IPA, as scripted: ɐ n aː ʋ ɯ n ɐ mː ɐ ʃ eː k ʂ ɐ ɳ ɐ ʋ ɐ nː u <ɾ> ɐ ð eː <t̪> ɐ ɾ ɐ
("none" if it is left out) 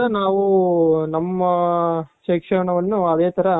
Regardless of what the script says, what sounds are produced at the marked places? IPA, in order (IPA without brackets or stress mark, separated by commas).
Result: none, t̪